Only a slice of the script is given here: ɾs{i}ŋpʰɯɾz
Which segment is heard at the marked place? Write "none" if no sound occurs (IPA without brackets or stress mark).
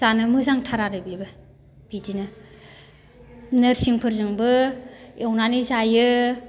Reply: i